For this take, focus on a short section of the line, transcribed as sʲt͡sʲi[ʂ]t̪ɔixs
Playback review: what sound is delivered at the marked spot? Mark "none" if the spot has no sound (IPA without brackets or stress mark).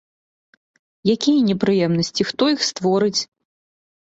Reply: x